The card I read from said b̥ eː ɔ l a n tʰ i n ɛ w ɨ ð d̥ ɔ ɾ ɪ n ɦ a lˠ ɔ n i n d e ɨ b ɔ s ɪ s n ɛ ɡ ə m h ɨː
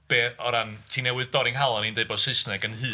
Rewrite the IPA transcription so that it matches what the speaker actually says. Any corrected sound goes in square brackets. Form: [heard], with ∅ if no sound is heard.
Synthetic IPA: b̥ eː ɔ [ɾ] a n tʰ i n ɛ w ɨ ð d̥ ɔ ɾ ɪ [ŋ] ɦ a lˠ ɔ n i n d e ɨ b ɔ s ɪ s n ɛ ɡ ə [n] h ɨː